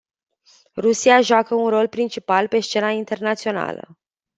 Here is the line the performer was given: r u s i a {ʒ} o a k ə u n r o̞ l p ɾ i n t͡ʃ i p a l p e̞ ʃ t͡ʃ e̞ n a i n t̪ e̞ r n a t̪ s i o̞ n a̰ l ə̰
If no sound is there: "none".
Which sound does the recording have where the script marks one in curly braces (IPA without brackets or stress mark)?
ʒ